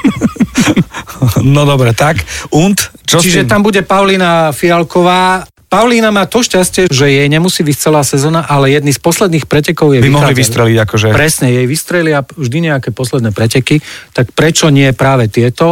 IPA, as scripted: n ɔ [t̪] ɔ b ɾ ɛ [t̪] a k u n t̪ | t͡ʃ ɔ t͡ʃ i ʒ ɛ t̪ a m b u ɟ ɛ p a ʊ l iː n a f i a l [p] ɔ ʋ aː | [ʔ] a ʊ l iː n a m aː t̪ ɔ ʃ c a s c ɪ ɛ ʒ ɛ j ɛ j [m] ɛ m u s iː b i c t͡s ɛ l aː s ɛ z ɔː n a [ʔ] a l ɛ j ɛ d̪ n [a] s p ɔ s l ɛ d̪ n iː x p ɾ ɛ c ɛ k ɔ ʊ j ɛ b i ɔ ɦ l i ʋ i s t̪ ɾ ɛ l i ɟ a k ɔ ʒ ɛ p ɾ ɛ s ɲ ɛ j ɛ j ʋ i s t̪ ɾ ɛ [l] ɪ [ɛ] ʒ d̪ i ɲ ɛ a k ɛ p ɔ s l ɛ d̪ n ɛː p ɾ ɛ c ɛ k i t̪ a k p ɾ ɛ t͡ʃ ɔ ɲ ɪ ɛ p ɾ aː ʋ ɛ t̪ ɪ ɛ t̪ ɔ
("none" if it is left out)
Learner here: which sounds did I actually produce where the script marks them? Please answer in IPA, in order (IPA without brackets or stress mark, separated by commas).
d̪, t̪, k, p, ɲ, ʔ, i, l, a